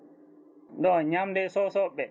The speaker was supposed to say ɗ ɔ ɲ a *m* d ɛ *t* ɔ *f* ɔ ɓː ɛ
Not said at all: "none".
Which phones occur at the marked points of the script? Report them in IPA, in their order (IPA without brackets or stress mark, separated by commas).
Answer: m, s, s